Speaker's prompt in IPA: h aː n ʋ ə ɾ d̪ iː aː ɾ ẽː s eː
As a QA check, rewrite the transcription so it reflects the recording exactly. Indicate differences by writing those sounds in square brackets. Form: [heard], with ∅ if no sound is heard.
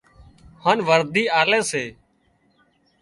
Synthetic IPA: h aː n ʋ ə ɾ d̪ iː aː [l] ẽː s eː